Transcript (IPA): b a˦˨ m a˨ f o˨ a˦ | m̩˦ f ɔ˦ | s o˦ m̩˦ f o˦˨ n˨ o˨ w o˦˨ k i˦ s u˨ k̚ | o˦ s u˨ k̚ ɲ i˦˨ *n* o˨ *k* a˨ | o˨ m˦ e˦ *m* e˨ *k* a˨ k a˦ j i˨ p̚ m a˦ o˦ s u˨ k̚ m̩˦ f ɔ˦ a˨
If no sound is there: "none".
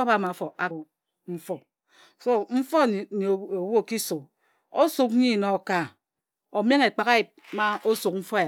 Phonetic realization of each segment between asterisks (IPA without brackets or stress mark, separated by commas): n, k, ŋ, k͡p